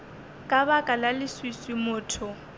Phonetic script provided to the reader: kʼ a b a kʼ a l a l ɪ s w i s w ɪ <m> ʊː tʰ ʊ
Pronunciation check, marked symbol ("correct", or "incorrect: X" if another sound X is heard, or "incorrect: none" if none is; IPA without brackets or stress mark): correct